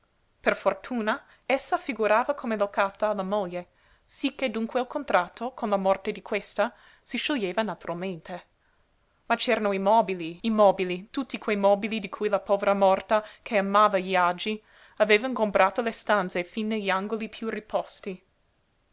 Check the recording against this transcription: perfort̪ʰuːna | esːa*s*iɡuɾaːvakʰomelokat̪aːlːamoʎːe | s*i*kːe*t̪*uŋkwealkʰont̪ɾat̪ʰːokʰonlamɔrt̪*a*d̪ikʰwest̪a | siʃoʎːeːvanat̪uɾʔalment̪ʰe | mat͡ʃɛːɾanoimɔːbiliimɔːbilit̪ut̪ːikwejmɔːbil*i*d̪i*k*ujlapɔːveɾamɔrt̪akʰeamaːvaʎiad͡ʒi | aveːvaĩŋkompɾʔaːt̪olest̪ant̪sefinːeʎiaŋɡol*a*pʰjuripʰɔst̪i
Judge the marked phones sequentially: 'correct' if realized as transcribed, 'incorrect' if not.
incorrect, correct, incorrect, incorrect, correct, incorrect, incorrect

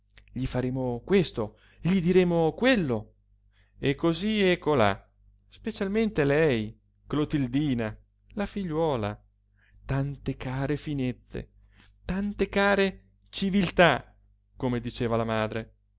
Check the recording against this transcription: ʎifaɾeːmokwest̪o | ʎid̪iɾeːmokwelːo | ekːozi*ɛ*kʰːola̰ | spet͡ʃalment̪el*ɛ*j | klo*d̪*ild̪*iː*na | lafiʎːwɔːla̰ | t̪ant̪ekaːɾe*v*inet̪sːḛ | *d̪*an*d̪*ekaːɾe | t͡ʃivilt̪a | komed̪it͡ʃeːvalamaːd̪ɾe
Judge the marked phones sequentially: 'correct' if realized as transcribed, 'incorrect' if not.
correct, correct, incorrect, correct, incorrect, incorrect, incorrect

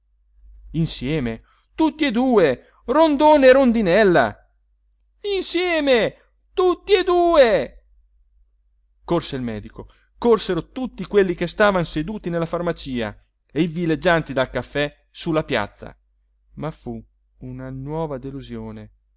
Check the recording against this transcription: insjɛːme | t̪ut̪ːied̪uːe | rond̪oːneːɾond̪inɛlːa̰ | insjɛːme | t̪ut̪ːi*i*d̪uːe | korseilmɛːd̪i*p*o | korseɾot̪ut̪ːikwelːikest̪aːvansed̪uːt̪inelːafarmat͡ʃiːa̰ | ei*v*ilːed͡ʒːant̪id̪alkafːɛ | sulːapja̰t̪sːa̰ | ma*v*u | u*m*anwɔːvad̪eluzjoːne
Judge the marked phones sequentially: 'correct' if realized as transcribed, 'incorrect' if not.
incorrect, incorrect, correct, incorrect, incorrect

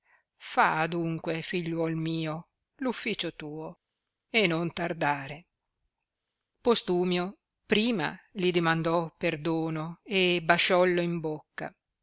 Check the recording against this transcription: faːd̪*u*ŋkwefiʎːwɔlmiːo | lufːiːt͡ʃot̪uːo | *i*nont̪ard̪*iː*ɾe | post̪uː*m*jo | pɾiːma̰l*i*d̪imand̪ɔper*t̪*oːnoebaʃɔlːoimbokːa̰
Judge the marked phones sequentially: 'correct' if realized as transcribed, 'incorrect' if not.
correct, incorrect, incorrect, correct, correct, incorrect

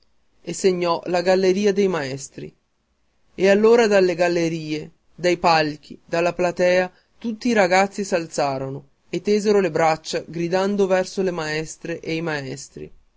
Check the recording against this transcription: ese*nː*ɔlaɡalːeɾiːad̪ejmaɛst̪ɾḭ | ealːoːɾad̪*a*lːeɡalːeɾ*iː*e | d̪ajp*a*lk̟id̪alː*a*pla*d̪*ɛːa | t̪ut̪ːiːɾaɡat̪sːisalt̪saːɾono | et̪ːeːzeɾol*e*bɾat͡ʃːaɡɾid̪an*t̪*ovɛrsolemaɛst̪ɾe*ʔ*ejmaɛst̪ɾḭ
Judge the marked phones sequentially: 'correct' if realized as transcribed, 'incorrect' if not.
incorrect, correct, correct, correct, correct, incorrect, correct, incorrect, correct

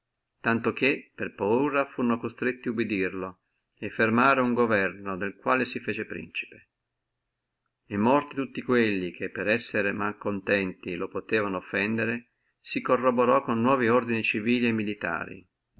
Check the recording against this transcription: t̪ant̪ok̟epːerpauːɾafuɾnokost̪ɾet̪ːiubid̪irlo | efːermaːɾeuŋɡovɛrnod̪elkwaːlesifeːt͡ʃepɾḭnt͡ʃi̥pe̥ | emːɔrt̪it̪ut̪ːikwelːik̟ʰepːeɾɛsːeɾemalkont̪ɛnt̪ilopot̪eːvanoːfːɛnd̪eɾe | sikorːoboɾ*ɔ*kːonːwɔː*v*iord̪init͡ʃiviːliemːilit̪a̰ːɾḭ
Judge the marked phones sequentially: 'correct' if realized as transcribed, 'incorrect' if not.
correct, correct

